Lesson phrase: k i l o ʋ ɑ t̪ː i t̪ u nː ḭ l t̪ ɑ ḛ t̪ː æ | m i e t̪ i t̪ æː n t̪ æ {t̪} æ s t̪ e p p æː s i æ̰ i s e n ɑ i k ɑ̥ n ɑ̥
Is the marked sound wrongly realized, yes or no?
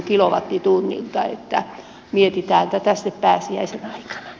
no